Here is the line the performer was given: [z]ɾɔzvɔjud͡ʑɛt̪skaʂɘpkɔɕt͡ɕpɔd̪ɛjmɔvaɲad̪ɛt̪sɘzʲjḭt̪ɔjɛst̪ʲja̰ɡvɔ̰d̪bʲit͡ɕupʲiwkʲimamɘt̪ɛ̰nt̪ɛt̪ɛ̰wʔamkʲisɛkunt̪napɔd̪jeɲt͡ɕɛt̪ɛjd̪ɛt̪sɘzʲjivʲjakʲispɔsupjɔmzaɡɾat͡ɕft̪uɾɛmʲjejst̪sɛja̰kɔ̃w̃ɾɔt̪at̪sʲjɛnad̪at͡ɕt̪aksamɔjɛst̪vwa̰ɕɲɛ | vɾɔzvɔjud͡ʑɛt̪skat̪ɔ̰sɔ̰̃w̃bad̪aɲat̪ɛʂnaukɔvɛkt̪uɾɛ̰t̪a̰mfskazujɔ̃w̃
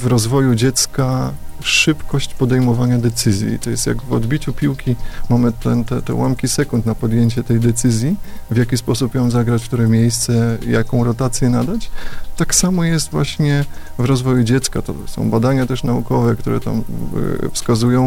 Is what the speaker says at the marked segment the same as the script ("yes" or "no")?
no